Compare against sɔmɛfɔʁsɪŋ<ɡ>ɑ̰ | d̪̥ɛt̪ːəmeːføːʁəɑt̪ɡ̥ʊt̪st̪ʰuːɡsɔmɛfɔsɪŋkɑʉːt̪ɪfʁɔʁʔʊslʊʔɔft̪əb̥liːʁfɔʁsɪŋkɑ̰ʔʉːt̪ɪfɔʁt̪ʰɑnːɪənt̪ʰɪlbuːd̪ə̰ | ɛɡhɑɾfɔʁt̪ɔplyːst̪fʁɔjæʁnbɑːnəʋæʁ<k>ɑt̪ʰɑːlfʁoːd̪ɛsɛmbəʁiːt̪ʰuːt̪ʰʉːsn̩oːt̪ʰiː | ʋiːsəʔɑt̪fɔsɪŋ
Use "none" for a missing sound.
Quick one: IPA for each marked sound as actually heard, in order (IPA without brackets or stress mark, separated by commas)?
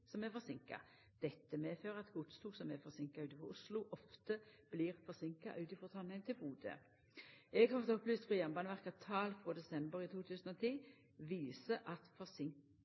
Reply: k, k